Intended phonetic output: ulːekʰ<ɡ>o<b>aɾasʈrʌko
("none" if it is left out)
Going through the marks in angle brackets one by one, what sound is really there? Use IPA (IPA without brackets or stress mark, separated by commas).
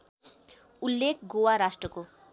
ɡ, w